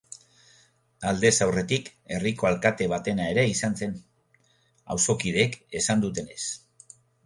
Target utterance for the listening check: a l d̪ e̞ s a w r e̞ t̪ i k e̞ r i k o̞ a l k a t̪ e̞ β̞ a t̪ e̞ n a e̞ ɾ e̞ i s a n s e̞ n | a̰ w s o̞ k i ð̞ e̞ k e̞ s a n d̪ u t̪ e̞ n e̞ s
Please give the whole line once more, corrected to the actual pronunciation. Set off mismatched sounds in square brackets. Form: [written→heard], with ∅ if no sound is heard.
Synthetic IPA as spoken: a l d̪ e̞ s a w r e̞ t̪ i k e̞ r i k o̞ a l k a t̪ e̞ β̞ a t̪ e̞ n a e̞ ɾ e̞ i s a n s e̞ n | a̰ w s o̞ k i ð̞ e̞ k e̞ s a n d̪ u t̪ e̞ n e̞ s